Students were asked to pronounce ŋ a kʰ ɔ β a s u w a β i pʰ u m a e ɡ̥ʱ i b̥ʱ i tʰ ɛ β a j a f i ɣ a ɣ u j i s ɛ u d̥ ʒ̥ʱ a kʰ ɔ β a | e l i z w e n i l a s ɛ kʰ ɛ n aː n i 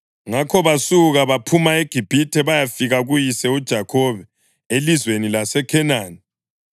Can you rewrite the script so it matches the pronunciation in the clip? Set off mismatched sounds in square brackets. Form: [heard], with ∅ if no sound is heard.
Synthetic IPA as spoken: ŋ a kʰ ɔ β a s u [ɣ] a β [a] pʰ u m a e ɡ̥ʱ i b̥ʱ i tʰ ɛ β a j a f i ɣ a ɣ u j i s ɛ u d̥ ʒ̥ʱ a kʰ ɔ β [ɛ] | e l i z w e n i l a s ɛ kʰ ɛ n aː n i

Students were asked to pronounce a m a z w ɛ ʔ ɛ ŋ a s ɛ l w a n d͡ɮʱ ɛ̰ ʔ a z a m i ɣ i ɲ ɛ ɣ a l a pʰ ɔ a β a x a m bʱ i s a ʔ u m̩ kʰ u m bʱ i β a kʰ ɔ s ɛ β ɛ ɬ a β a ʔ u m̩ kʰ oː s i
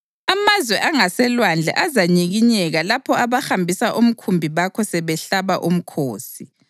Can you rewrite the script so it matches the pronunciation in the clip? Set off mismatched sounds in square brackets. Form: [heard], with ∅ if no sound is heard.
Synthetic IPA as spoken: a m a z w ɛ ʔ [a] ŋ a s ɛ l w a n d͡ɮʱ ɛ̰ ʔ a z a [ɲ] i ɣ i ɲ ɛ ɣ a l a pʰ ɔ a β a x a m bʱ i s a ʔ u m̩ kʰ u m bʱ i β a kʰ ɔ s ɛ β ɛ ɬ a β a ʔ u m̩ kʰ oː s i

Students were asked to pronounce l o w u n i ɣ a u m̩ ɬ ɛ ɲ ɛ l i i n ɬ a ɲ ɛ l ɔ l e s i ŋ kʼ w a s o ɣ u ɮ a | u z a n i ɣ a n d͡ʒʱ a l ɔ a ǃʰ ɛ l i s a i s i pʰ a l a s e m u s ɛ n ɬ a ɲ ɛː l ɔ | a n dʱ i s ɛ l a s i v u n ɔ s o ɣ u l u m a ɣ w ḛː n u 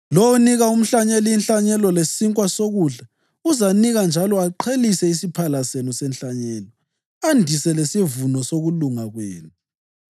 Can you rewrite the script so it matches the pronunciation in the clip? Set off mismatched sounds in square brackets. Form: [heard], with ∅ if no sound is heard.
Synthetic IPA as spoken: l o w u n i ɣ a u m̩ ɬ [a] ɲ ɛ l i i n ɬ a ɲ ɛ l ɔ l e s i ŋ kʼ w a s o ɣ u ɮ a | u z a n i ɣ a n d͡ʒʱ a l ɔ a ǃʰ [e] l i s [ɛ] i s i pʰ a l a s e [n] u s ɛ n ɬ a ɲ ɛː l ɔ | a n dʱ i s ɛ l [e] s i v u n ɔ s o ɣ u l u [ŋ] a ɣ w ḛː n u

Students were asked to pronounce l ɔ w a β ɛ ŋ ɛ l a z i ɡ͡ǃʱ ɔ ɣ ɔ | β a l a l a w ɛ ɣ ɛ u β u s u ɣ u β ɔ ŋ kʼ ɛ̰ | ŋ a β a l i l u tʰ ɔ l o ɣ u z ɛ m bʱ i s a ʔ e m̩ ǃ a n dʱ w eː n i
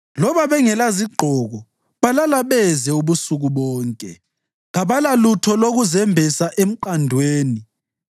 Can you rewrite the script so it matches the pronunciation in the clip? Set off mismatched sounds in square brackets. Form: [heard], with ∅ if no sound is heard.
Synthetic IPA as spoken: l ɔ [β] a β ɛ ŋ ɛ l a z i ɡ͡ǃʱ ɔ ɣ ɔ | β a l a l a [β] ɛ [z] ɛ u β u s u ɣ u β [ɔː] ŋ kʼ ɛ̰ | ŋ a β a l [a] l u tʰ ɔ l o ɣ u z ɛ m bʱ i s a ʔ e m̩ ǃ a n dʱ w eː n i

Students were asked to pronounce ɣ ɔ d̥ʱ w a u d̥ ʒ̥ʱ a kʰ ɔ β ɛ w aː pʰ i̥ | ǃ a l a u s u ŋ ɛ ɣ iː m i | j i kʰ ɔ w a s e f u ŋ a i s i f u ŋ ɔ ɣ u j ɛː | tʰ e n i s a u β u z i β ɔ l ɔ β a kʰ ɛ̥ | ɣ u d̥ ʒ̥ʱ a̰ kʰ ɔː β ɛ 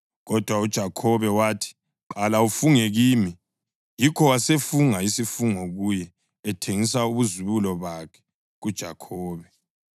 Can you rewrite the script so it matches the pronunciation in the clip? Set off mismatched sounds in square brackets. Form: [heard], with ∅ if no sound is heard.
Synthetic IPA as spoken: ɣ ɔ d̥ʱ w a u d̥ ʒ̥ʱ a kʰ ɔ β ɛ w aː [tʰ] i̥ | ǃ a l a u [f] u ŋ ɛ ɣ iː m i | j i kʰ ɔ w a s e f u ŋ a i s i f u ŋ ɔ ɣ u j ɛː | tʰ e [ŋ] i s a u β u z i β [u] l ɔ β a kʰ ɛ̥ | ɣ u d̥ ʒ̥ʱ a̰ kʰ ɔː β ɛ

